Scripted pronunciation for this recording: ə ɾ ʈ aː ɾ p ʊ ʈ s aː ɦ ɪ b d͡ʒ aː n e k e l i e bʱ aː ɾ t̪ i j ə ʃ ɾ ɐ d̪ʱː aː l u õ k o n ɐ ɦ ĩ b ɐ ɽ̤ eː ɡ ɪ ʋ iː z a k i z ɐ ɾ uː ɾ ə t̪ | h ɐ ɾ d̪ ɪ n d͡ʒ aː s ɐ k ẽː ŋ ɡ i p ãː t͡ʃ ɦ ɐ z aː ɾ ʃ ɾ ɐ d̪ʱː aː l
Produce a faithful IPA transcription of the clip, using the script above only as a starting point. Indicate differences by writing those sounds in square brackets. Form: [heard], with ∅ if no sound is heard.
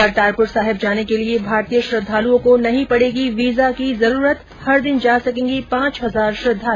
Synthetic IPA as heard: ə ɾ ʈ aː ɾ p ʊ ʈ s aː ɦ ɪ b d͡ʒ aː n e k e l i e bʱ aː ɾ t̪ i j ə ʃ ɾ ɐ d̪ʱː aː l u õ k o n ɐ ɦ ĩ [p] ɐ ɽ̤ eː ɡ [i] ʋ iː z a k i z ɐ ɾ uː ɾ ə t̪ | h ɐ ɾ d̪ ɪ n d͡ʒ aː s ɐ k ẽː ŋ ɡ i p ãː t͡ʃ ɦ ɐ z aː ɾ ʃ ɾ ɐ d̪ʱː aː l